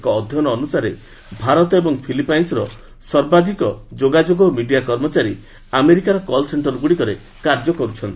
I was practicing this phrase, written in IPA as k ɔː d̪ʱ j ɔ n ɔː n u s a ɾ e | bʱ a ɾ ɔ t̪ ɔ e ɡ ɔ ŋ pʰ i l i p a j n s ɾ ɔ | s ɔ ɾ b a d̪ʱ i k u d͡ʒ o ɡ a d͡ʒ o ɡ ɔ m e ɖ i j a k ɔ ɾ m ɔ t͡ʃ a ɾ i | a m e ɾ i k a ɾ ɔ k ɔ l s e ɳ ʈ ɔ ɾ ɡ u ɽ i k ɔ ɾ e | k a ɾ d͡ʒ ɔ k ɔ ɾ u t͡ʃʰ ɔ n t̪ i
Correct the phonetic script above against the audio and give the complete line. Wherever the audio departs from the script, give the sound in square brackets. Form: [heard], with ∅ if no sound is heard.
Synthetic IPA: k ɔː d̪ʱ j ɔ n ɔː n u s a ɾ e | bʱ a ɾ ɔ t̪ ɔ e [b] ɔ ŋ pʰ i l i p a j n s ɾ ɔ | s ɔ ɾ b a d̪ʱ i k [ɔ] d͡ʒ o ɡ a d͡ʒ o ɡ ɔ m [i] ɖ i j a k ɔ ɾ m ɔ t͡ʃ a ɾ i | a m e ɾ i k a ɾ ɔ k ɔ l s e ɳ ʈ ɔ ɾ ɡ u ɽ i k ɔ ɾ e | k a ɾ d͡ʒ ɔ k ɔ ɾ u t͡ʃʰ ɔ n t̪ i